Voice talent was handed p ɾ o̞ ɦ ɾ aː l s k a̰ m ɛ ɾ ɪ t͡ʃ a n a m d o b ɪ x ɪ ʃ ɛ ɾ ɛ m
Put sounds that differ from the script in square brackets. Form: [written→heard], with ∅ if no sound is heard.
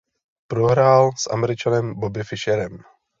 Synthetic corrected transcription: p ɾ o̞ ɦ ɾ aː l s [k→ʔ] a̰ m ɛ ɾ ɪ t͡ʃ a n [a→ɛ] m [d→b] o b ɪ [x→f] ɪ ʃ ɛ ɾ ɛ m